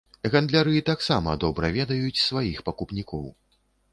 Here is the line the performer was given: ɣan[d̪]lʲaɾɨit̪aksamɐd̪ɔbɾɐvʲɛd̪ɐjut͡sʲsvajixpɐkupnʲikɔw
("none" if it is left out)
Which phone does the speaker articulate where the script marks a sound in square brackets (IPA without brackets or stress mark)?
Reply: d̪